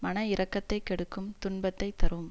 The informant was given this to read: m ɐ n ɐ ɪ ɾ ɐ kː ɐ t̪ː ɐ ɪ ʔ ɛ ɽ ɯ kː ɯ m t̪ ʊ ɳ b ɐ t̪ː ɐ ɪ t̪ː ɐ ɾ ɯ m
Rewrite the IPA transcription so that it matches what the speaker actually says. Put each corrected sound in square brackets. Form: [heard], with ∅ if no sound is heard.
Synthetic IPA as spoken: m ɐ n ɐ ɪ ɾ ɐ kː ɐ t̪ː ɐ ɪ [k] ɛ ɽ ɯ kː ɯ m t̪ ʊ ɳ b ɐ t̪ː ɐ ɪ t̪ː ɐ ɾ ɯ m